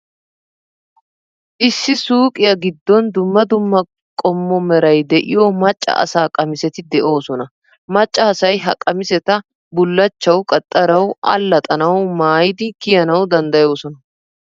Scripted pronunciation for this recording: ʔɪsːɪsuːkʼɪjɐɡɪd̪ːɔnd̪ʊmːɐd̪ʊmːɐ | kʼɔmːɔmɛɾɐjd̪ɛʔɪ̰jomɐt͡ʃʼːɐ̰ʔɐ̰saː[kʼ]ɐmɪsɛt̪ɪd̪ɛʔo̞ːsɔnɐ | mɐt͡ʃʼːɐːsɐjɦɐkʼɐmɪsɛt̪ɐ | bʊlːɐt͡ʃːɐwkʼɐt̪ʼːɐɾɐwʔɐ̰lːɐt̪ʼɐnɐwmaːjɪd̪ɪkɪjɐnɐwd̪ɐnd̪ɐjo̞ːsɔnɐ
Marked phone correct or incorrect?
correct